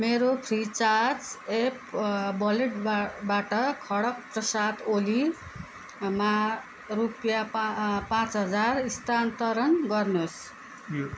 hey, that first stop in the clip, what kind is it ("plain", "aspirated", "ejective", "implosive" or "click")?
aspirated